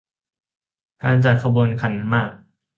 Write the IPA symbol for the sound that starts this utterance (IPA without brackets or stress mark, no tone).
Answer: k